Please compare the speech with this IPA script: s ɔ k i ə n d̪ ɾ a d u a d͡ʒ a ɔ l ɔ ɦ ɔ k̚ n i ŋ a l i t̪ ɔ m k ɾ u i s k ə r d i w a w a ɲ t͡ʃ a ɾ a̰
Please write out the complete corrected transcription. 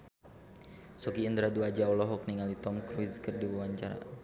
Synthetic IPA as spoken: s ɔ k i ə n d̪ ɾ a d u a d͡ʒ a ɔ l ɔ ɦ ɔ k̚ n i ŋ a l i t̪ ɔ m k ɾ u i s k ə r d i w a w a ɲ t͡ʃ a ɾ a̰

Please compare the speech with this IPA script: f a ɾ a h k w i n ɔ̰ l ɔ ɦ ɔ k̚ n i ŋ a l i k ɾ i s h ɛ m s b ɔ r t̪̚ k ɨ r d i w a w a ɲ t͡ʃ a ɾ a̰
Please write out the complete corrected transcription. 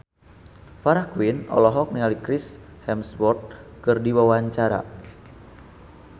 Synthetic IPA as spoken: f a ɾ a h k w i n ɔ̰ l ɔ ɦ ɔ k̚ n i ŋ a l i k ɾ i s h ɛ m s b ɔ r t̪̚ k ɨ r d i w a w a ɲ t͡ʃ a ɾ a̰

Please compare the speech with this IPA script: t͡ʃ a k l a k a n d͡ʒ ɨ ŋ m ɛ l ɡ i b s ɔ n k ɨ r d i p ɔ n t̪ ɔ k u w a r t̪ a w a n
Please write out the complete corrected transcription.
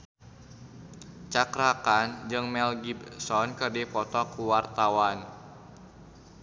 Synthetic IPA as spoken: t͡ʃ a k ɾ a k a n d͡ʒ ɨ ŋ m ɛ l ɡ i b s ɔ n k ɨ r d i p ɔ t̪ ɔ k u w a r t̪ a w a n

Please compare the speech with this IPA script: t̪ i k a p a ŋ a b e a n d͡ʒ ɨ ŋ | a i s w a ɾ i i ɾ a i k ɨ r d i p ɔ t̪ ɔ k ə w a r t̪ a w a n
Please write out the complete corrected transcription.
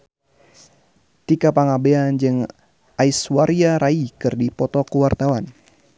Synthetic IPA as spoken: t̪ i k a p a ŋ a b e a n d͡ʒ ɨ ŋ | a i s w a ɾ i a ɾ a i k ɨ r d i p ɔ t̪ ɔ k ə w a r t̪ a w a n

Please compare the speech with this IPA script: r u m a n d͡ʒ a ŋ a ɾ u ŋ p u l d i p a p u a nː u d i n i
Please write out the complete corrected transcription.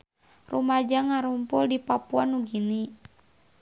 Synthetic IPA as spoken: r u m a d͡ʒ a ŋ a ɾ u m p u l d i p a p u a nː u ɡ i n i

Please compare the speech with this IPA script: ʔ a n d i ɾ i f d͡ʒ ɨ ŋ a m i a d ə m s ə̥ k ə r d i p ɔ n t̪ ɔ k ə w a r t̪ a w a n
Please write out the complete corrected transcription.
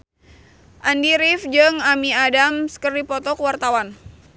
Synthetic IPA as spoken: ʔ a n d i ɾ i f d͡ʒ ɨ ŋ a m i a d a m s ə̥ k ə r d i p ɔ t̪ ɔ k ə w a r t̪ a w a n

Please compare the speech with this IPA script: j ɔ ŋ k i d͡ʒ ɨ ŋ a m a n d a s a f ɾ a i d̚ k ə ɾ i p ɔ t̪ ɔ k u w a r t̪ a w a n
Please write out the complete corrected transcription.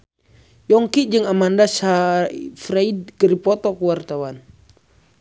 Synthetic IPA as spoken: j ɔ ŋ k i d͡ʒ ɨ ŋ a m a n d a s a f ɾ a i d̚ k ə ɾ i p ɔ t̪ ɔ k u w a r t̪ a w a n

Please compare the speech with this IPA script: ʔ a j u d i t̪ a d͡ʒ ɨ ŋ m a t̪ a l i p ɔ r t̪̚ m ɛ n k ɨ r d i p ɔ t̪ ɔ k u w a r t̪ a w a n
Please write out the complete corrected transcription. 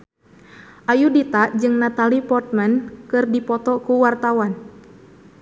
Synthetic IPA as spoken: ʔ a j u d i t̪ a d͡ʒ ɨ ŋ n a t̪ a l i p ɔ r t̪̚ m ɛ n k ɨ r d i p ɔ t̪ ɔ k u w a r t̪ a w a n

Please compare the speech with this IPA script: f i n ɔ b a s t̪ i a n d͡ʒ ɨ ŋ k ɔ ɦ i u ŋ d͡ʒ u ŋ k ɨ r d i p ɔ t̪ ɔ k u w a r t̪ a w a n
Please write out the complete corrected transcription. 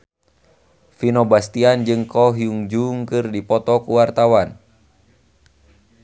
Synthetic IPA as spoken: f i n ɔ b a s t̪ i a n d͡ʒ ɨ ŋ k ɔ ɦ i u ŋ d͡ʒ u ŋ k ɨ r d i p ɔ t̪ ɔ k u w a r t̪ a w a n

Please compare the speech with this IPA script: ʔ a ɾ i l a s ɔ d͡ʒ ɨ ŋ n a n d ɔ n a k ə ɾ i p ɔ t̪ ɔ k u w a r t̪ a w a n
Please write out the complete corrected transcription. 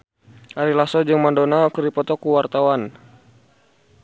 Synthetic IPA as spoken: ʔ a ɾ i l a s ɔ d͡ʒ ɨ ŋ m a n d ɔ n a k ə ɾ i p ɔ t̪ ɔ k u w a r t̪ a w a n

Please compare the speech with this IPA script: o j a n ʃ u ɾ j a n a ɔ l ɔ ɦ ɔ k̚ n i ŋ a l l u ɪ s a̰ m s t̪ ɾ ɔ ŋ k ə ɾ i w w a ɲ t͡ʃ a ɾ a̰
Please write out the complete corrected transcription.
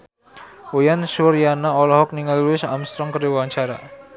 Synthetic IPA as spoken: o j a n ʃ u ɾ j a n a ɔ l ɔ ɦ ɔ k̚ n i ŋ a l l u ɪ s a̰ m s t̪ ɾ ɔ ŋ k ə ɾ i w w a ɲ t͡ʃ a ɾ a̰

